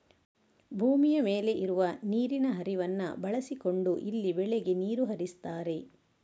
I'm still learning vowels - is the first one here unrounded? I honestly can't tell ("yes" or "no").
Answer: no